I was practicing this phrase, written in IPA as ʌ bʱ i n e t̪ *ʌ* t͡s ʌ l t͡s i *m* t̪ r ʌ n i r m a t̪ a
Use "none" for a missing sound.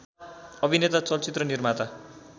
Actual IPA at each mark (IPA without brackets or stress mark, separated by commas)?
a, none